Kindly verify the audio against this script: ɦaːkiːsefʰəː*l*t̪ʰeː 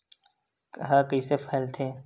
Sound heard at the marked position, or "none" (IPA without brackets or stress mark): l